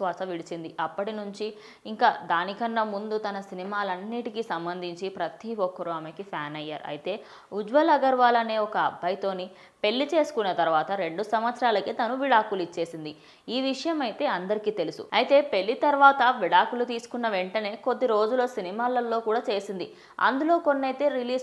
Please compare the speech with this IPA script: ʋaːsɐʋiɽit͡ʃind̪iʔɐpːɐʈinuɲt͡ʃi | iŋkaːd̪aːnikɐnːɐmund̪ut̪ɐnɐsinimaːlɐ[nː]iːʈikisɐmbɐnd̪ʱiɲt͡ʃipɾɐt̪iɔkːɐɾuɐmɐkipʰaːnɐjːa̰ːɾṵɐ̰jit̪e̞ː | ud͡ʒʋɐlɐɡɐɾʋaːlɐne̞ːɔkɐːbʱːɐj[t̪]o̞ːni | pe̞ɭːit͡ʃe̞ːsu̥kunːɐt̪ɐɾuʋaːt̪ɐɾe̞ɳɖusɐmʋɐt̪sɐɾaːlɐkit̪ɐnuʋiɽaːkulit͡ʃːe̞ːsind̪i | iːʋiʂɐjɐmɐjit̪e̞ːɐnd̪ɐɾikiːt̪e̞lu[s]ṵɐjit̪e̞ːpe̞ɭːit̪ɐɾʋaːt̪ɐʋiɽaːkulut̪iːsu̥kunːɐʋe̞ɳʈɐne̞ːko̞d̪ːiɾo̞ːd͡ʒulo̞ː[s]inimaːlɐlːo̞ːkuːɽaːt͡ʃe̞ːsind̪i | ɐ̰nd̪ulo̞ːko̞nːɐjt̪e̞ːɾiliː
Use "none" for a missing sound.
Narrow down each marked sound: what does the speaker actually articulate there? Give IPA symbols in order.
nː, t̪, s, s

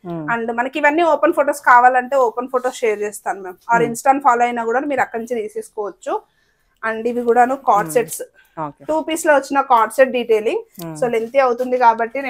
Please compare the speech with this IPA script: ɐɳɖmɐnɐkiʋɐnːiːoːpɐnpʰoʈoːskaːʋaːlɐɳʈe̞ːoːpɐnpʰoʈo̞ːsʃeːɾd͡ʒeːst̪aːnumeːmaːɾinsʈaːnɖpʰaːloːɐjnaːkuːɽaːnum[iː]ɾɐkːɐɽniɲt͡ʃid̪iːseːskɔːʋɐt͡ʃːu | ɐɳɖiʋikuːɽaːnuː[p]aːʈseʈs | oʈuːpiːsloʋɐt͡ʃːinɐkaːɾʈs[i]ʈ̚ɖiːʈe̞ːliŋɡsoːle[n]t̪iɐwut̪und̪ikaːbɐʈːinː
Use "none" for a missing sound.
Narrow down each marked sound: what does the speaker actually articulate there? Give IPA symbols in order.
iː, k, e, n

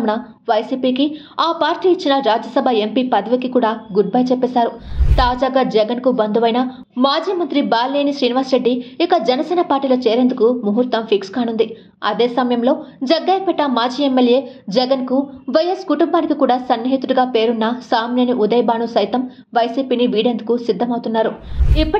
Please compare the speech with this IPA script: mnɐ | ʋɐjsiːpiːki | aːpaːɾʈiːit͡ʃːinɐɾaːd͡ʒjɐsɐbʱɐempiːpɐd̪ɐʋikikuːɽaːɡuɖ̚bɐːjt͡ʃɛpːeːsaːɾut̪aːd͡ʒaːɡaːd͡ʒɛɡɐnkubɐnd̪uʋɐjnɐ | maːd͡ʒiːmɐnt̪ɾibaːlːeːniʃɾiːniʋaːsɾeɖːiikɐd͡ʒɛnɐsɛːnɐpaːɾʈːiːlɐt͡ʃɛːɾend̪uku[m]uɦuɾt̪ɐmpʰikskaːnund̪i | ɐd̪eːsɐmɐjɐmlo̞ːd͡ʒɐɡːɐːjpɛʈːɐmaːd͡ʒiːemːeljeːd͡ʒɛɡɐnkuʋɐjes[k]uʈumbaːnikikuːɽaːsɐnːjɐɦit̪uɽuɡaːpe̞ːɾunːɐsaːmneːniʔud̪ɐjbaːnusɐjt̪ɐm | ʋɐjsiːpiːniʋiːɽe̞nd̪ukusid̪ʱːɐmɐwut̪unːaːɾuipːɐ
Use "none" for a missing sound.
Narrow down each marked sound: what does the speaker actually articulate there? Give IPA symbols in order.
m, k

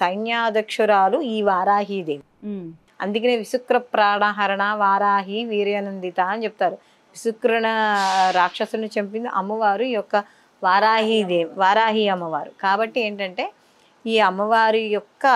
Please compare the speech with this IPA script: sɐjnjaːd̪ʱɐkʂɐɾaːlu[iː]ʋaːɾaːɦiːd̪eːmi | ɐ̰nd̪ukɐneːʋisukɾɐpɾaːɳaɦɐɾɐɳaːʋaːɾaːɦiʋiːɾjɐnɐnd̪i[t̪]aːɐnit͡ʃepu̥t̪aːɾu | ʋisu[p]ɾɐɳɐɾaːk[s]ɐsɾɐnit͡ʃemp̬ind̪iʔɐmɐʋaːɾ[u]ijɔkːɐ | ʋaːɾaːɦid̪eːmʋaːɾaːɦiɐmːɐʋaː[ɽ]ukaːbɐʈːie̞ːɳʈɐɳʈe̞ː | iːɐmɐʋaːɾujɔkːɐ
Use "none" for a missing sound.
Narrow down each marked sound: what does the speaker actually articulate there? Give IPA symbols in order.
iː, t̪, k, ʂ, u, ɾ

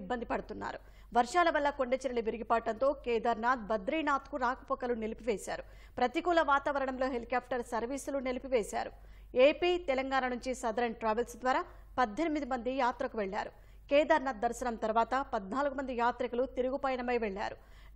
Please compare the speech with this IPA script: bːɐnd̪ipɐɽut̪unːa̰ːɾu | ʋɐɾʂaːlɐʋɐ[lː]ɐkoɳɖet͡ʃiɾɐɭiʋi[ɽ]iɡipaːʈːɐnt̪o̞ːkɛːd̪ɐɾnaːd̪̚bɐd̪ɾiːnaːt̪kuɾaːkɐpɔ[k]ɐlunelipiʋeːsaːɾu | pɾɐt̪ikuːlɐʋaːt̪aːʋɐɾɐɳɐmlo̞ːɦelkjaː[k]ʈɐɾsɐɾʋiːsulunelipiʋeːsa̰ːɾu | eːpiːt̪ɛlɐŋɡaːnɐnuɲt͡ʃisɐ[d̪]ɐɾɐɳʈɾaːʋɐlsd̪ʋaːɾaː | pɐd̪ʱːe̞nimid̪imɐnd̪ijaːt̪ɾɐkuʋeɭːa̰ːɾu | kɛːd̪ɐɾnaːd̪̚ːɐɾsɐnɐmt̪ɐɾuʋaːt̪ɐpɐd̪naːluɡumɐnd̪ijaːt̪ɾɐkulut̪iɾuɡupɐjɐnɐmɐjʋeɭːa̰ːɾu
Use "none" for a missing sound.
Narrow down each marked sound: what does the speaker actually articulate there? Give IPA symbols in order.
lː, ɾ, k, p, d̪

